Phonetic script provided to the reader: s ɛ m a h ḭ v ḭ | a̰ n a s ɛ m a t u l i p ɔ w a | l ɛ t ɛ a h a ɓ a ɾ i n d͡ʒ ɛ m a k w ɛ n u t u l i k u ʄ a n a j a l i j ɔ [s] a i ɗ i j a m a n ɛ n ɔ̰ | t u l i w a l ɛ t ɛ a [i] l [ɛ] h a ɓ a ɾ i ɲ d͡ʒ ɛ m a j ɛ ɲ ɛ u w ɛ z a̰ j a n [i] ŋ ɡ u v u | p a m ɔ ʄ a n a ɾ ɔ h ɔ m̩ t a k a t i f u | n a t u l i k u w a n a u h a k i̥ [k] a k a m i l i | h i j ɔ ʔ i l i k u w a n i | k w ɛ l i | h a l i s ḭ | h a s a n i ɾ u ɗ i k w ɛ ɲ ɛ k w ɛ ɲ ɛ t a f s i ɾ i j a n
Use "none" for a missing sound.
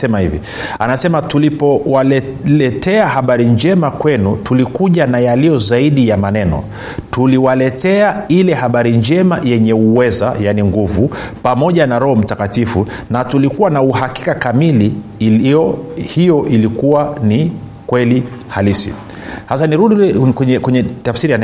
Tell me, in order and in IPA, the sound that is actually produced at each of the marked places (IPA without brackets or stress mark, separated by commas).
z, i, ɛ, i, k